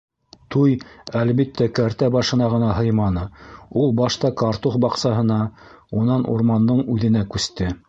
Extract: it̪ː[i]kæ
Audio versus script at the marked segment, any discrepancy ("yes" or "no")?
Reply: yes